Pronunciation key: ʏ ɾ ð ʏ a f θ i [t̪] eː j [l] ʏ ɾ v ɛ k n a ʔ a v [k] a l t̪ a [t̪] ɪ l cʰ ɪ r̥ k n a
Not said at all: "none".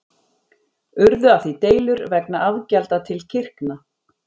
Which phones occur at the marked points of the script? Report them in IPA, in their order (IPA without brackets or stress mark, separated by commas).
t̪, l, c, t̪ʰ